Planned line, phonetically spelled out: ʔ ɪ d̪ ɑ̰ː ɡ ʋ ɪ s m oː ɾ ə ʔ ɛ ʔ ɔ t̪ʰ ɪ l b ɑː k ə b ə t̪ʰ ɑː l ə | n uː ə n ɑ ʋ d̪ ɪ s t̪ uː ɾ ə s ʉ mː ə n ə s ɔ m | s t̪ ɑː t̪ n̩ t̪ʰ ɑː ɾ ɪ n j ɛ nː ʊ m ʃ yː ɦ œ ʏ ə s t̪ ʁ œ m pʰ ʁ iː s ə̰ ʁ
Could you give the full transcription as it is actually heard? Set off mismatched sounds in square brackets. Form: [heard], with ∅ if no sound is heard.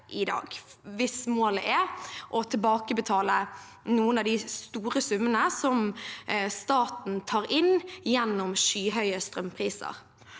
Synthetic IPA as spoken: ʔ ɪ d̪ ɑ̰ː ɡ ʋ ɪ s m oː [l] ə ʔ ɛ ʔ ɔ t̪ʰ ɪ l b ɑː k ə b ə t̪ʰ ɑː l ə | n uː ə n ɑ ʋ d̪ ɪ s t̪ uː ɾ ə s ʉ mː ə n ə s ɔ m | s t̪ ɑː t̪ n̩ t̪ʰ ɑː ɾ ɪ n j ɛ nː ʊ m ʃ yː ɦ œ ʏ ə s t̪ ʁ œ m pʰ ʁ iː s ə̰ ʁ

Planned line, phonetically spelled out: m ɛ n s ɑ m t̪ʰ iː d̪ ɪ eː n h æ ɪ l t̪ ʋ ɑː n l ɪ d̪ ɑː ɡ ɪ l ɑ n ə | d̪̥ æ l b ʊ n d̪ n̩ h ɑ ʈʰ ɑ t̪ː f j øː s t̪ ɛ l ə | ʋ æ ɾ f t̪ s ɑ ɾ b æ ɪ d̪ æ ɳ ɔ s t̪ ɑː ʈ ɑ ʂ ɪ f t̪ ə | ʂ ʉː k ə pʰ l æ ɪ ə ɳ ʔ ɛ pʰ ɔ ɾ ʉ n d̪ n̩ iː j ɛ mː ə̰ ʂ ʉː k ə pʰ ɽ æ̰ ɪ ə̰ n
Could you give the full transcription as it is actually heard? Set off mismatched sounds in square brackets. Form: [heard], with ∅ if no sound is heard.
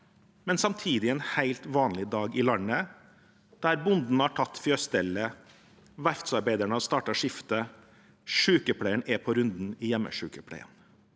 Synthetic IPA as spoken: m ɛ n s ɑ m t̪ʰ iː d̪ ɪ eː n h æ ɪ l t̪ ʋ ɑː n l ɪ d̪ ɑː ɡ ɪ l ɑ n ə | d̪̥ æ [ɾ] b ʊ n d̪ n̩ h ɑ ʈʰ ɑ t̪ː f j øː s t̪ ɛ l ə | ʋ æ ɾ f t̪ s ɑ ɾ b æ ɪ d̪ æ ɳ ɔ s t̪ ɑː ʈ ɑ ʂ ɪ f t̪ ə | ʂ ʉː k ə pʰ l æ ɪ ə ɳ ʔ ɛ pʰ ɔ ɾ ʉ n d̪ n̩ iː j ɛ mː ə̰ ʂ ʉː k ə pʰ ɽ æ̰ ɪ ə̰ n

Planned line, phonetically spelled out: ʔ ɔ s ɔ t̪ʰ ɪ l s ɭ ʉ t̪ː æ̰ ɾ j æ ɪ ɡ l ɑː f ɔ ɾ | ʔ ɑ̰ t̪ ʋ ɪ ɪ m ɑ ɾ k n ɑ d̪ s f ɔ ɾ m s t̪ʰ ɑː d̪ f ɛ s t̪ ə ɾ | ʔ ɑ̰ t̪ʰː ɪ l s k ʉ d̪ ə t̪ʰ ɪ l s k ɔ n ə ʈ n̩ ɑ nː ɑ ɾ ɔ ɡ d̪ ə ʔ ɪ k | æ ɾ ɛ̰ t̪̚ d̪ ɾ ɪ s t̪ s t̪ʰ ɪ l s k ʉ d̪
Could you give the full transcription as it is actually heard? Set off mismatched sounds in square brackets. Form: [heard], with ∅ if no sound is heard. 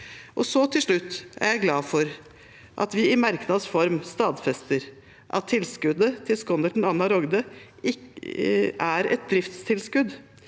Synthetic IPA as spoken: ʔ ɔ s ɔ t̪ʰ ɪ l [ʂ] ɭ ʉ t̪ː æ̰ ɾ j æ ɪ ɡ l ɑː f ɔ ɾ | ʔ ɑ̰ t̪ ʋ ɪ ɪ m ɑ ɾ k n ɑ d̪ s f ɔ ɾ m s [t̪] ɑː d̪ f ɛ s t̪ ə ɾ | ʔ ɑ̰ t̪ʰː ɪ l s k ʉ d̪ ə t̪ʰ ɪ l s k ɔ n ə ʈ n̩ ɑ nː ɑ ɾ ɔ ɡ d̪ ə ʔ ɪ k | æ ɾ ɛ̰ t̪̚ d̪ ɾ ɪ [f] t̪ s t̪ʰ ɪ l s k ʉ d̪

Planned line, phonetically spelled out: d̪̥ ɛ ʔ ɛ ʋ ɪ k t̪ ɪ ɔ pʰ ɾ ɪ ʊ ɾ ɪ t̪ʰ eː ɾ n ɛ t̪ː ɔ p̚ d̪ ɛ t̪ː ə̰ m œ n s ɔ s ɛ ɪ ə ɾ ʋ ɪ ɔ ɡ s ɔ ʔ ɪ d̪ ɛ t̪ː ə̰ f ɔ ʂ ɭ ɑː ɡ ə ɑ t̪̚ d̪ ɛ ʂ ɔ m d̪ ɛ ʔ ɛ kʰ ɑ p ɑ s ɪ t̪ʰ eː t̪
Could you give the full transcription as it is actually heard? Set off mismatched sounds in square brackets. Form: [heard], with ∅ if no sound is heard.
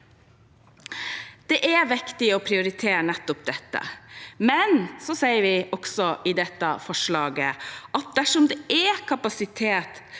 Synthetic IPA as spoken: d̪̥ ɛ ʔ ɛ ʋ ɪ k t̪ ɪ ɔ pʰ ɾ ɪ ʊ ɾ ɪ t̪ʰ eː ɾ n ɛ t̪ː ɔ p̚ d̪ ɛ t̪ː ə̰ m [ɛ] n s ɔ s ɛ ɪ ə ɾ ʋ ɪ ɔ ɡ s ɔ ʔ ɪ d̪ ɛ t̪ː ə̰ f ɔ ʂ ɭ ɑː ɡ ə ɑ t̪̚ d̪ [æ] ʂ ɔ m d̪ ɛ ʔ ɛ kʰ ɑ p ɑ s ɪ t̪ʰ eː t̪

